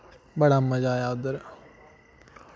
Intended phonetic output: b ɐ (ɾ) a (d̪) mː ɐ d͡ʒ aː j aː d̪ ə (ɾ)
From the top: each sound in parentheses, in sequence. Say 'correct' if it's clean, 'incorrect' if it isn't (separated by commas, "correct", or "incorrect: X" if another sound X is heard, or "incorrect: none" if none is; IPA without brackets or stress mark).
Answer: incorrect: ɽ, incorrect: none, correct